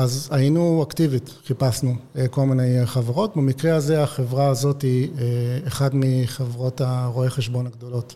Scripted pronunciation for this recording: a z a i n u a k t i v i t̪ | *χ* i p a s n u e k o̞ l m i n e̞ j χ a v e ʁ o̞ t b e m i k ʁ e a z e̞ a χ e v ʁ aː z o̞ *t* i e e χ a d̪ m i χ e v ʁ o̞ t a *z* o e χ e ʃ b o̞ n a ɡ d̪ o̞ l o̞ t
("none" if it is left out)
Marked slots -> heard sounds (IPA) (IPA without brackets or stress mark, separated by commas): χ, t, ʁ